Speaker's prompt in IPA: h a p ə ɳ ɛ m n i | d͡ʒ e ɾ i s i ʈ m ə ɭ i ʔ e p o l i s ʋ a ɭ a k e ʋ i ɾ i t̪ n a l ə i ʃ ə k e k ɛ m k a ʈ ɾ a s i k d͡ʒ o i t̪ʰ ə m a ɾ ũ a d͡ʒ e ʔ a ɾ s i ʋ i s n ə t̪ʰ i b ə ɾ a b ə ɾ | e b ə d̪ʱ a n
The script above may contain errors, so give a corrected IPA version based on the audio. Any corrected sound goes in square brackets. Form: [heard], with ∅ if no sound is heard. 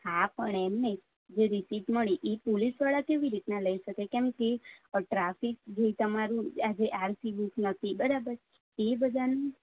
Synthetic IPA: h a p ə ɳ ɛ m n [e] | d͡ʒ e ɾ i s i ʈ m ə ɭ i ʔ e p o l i s ʋ a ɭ a k e ʋ i ɾ i t̪ n a l ə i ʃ ə k e k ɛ m k [e] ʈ ɾ a [f] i k d͡ʒ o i [t̪] ə m a ɾ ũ a d͡ʒ e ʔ a ɾ s i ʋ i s n ə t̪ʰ i b ə ɾ a b ə ɾ | e b ə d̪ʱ a n